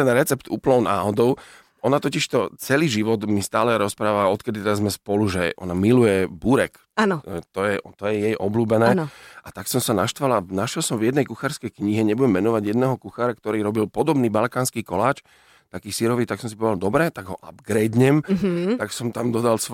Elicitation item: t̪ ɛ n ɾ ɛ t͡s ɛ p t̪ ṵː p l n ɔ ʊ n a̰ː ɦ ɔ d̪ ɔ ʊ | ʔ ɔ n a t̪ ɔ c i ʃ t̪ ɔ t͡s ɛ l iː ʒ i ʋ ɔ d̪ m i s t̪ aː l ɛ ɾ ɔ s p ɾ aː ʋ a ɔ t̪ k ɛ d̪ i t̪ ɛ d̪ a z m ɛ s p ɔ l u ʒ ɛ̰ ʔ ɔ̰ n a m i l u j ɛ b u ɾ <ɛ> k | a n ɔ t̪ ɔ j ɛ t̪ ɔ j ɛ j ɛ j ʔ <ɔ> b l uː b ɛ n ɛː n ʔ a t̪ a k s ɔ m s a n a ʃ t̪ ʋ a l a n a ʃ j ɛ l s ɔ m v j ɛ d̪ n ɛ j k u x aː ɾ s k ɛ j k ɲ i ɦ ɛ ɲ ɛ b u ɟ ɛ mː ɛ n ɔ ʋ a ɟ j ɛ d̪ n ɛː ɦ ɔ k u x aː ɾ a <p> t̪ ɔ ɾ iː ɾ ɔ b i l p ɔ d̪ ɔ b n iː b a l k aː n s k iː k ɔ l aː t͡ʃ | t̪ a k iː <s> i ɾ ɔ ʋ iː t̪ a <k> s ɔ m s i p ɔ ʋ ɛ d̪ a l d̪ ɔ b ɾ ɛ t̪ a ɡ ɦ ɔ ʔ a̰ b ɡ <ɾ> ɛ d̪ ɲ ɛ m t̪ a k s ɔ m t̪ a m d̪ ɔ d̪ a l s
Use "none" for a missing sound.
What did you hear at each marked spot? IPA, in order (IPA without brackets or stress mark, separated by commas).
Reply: ɛ, ɔ, k, s, k, ɾ